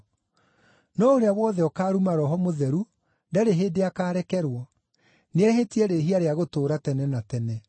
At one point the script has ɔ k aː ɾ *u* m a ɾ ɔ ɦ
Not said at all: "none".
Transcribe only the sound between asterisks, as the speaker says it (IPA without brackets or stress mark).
u